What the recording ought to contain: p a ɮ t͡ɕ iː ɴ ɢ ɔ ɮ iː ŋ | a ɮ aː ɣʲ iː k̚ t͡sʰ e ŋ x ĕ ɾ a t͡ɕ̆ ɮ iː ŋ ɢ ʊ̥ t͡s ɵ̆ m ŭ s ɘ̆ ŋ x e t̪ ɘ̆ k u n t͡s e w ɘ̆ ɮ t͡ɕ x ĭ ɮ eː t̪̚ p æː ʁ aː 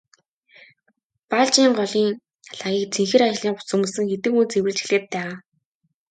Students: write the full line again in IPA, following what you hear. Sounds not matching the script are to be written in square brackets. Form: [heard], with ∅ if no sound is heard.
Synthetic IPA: p a ɮ t͡ɕ iː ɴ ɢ ɔ ɮ iː ŋ | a ɮ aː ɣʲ iː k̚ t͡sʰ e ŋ x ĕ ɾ a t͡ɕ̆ ɮ iː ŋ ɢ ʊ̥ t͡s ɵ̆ m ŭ s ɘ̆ ŋ x e t̪ ɘ̆ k u n t͡s e w ɘ̆ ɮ t͡ɕ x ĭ ɮ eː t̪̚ p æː ʁ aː